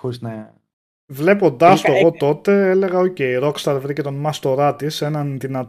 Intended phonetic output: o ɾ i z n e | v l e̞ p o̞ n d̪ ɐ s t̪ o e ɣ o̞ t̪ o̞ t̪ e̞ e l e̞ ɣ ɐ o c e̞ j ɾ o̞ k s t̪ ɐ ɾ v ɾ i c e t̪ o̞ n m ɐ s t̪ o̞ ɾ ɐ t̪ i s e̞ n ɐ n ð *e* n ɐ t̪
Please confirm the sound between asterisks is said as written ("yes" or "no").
no